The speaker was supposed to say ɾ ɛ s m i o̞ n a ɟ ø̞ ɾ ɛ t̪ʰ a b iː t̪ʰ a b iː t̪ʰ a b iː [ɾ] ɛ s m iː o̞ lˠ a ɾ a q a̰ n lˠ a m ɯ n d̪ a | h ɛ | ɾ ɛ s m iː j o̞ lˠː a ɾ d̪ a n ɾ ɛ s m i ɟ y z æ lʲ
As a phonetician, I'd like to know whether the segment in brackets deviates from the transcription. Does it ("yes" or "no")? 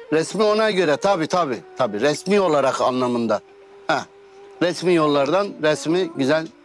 no